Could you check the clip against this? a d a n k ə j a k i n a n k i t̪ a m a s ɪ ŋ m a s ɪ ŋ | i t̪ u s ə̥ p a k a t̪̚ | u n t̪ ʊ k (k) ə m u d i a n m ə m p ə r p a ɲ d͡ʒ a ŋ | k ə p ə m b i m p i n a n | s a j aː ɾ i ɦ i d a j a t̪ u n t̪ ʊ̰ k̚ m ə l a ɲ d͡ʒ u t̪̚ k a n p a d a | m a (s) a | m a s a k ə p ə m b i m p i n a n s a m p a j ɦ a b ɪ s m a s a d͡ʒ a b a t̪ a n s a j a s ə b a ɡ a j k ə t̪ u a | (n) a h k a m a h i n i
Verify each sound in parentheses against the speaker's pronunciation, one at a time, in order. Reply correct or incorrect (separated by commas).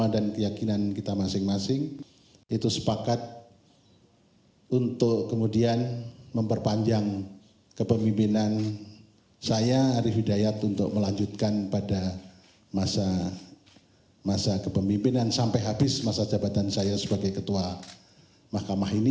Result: correct, correct, incorrect